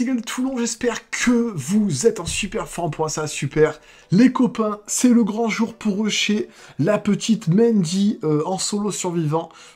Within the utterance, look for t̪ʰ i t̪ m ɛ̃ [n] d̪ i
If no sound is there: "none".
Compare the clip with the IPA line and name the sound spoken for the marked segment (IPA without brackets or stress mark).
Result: n